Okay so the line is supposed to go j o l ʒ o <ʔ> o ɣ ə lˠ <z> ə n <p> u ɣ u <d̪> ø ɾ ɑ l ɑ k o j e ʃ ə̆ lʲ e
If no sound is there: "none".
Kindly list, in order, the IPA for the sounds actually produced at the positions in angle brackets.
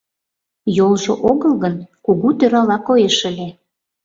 ʔ, ɣ, k, t̪

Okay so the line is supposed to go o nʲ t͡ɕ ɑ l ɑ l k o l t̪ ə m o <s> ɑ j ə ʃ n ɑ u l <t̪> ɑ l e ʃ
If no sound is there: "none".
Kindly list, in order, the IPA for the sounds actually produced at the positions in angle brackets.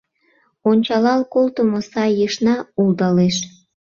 s, d̪

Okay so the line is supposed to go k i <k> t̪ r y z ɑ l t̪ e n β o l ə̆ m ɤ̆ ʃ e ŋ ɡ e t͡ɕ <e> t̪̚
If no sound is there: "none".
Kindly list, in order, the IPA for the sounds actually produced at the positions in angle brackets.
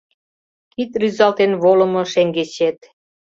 none, e

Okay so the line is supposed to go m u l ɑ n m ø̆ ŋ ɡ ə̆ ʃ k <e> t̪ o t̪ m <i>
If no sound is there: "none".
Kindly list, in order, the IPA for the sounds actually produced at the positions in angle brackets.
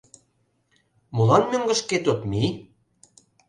e, i

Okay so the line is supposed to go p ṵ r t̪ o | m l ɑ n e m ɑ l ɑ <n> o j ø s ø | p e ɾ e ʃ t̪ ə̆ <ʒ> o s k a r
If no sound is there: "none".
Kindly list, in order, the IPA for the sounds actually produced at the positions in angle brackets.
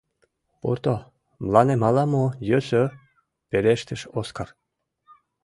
m, ʃ

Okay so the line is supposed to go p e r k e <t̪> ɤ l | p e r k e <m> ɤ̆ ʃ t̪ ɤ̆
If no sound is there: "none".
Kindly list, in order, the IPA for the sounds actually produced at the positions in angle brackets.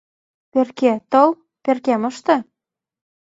t̪, m

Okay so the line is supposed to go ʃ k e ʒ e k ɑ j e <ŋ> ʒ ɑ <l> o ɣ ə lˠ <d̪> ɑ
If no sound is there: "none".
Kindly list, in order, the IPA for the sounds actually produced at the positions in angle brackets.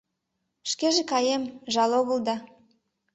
m, l, d̪

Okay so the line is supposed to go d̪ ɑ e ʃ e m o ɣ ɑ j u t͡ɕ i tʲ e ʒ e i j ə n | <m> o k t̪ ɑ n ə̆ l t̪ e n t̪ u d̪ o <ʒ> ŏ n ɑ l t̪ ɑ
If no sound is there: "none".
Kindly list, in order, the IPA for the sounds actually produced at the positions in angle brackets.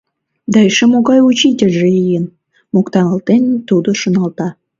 m, ʃ

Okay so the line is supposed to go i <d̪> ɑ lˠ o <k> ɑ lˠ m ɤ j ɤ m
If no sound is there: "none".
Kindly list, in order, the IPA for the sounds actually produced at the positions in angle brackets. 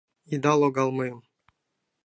d̪, ɡ

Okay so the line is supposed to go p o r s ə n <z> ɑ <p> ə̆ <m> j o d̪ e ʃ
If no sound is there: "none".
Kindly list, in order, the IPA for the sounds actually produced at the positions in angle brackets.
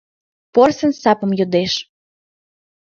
s, p, m

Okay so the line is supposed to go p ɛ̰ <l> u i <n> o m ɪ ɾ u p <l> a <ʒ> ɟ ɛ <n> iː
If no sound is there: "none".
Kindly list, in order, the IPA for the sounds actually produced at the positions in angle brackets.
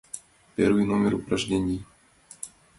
ɾ, n, ɾ, ʒ, ɲ

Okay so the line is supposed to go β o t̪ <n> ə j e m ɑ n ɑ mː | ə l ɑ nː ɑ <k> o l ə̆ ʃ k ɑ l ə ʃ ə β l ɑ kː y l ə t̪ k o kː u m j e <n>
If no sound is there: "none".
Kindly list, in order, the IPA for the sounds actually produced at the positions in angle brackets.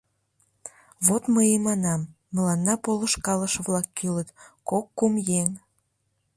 m, p, ŋ

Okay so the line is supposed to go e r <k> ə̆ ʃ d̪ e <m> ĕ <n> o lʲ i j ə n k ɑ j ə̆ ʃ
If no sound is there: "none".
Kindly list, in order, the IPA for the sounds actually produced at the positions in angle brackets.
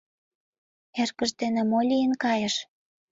k, n, m

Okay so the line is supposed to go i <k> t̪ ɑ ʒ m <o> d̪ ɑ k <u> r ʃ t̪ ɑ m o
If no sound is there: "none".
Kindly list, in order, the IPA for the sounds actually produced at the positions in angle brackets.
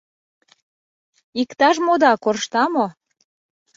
k, o, o

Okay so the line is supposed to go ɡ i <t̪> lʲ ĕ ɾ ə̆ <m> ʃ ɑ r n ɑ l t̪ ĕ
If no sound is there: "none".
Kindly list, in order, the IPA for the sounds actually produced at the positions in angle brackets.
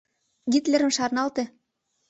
t̪, m

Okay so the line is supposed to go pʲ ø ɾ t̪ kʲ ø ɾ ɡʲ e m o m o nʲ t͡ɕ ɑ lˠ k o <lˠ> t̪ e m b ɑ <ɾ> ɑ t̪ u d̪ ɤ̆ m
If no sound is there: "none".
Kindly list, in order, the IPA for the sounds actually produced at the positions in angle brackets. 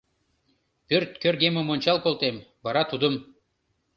lˠ, ɾ

